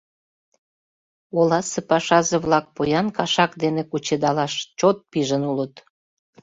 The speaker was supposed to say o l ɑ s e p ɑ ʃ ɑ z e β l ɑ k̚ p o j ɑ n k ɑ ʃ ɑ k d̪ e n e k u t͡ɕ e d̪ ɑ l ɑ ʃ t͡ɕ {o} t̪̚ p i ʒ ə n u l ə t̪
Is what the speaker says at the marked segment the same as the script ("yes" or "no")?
yes